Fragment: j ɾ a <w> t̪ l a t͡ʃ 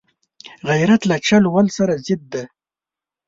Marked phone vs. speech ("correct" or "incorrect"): incorrect